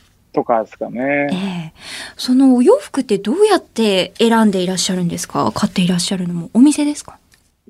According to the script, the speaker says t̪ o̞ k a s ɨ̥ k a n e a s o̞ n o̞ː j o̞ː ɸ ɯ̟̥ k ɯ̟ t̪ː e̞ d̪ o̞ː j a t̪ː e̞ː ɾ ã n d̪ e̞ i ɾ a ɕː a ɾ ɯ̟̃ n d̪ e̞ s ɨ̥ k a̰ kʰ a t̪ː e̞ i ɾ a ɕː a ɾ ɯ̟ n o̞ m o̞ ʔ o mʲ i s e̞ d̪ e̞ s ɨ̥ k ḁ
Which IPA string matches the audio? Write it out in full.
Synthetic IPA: t̪ o̞ k a s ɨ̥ k a n e e s o̞ n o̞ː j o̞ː ɸ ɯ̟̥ k ɯ̟ t̪ː e̞ d̪ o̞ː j a t̪ː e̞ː ɾ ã n d̪ e̞ i ɾ a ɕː a ɾ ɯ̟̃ n d̪ e̞ s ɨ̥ k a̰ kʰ a t̪ː e̞ i ɾ a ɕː a ɾ ɯ̟ n o̞ m o̞ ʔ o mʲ i s e̞ d̪ e̞ s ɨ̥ k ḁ